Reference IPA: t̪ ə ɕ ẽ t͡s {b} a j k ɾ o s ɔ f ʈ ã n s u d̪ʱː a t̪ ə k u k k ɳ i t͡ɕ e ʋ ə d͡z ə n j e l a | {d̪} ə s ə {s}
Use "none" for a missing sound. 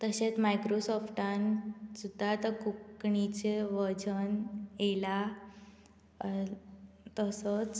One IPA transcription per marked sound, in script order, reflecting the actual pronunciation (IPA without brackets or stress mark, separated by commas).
m, t̪, t͡s